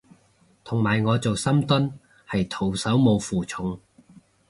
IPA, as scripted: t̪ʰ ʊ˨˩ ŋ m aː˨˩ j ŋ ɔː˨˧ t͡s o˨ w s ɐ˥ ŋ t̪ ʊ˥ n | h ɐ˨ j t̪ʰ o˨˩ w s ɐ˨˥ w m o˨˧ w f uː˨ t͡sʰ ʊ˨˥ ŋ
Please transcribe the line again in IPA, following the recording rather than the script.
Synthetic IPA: t̪ʰ ʊ˨˩ ŋ m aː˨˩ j ŋ ɔː˨˧ t͡s o˨ w s ɐ˥ m t̪ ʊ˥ n | h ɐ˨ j t̪ʰ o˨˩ w s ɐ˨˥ w m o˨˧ w f uː˨ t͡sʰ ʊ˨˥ ŋ